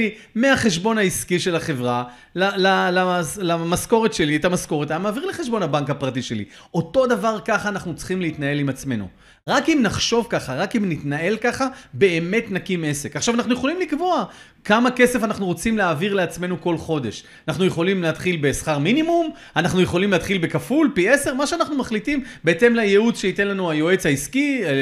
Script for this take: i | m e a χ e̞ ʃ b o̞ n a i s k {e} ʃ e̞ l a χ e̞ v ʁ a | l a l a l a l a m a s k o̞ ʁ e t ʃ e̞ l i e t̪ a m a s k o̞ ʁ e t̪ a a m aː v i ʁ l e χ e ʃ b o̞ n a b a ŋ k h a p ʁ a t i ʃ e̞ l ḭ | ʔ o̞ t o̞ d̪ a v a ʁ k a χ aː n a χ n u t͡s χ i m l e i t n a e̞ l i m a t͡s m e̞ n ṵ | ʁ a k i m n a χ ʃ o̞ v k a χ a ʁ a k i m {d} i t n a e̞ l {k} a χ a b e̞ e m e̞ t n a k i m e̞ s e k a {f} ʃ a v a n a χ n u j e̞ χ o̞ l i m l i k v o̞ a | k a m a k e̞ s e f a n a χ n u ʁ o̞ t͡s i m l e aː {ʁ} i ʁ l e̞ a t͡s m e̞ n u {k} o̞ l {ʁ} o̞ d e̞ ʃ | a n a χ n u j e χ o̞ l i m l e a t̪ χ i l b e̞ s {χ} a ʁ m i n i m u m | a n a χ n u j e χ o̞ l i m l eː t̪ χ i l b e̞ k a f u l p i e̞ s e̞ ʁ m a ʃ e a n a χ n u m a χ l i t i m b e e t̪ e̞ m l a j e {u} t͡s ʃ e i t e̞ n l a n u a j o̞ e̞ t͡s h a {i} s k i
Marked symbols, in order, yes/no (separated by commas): no, no, yes, no, no, yes, no, yes, yes, yes